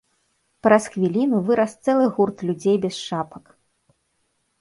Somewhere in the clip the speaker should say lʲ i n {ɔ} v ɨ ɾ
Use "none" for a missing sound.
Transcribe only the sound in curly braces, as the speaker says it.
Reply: u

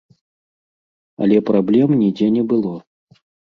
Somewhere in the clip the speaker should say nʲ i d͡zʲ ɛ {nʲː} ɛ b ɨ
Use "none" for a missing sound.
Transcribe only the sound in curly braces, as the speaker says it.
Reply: nʲ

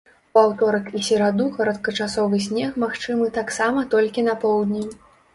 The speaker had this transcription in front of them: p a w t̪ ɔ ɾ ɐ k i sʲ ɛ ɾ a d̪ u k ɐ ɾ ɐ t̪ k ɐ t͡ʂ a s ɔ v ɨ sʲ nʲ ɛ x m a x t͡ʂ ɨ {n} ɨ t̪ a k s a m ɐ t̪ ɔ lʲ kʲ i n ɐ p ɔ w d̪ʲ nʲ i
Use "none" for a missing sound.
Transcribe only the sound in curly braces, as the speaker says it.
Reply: m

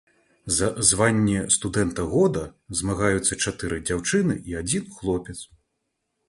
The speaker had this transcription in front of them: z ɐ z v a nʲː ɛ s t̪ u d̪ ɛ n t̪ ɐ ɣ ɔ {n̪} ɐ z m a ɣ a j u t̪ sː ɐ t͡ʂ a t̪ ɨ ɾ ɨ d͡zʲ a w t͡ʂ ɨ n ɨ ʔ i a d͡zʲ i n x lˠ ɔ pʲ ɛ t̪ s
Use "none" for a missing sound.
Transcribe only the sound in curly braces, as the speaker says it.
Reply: d̪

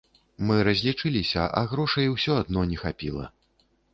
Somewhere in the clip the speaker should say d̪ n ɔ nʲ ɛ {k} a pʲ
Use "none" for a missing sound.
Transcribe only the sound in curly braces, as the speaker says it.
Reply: x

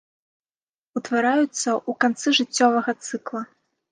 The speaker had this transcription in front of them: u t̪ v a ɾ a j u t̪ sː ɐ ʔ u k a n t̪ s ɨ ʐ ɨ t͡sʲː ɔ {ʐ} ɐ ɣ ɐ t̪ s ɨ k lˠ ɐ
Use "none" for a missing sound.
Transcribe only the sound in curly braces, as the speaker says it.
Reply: v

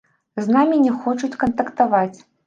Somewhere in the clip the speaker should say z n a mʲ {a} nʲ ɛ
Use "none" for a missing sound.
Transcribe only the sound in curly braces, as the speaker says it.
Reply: i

